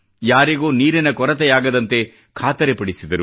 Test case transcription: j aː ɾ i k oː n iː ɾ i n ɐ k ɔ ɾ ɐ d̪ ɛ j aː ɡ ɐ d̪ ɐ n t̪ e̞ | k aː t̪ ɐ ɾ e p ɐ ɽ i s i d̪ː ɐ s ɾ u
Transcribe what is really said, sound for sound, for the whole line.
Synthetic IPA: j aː ɾ i ɡ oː n iː ɾ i n ɐ k ɔ ɾ ɐ t̪ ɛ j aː ɡ ɐ d̪ ɐ n t̪ e̞ | kʰ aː t̪ ɐ ɾ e p ɐ ɽ i s i d̪ ɐ ɾ u